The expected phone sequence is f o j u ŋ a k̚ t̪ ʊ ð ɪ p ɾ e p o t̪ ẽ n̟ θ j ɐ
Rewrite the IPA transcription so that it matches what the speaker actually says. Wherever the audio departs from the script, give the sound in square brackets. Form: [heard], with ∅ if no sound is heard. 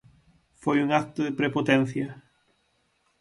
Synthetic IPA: f o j u ŋ a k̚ t̪ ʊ ð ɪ p ɾ e p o t̪ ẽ n̟ θ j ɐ